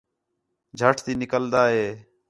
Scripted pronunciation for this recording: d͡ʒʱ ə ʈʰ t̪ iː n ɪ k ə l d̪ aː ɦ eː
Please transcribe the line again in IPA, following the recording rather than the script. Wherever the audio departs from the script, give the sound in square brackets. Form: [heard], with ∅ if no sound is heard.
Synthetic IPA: d͡ʒʱ ə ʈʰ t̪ iː n ɪ k ə l d̪ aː ɦ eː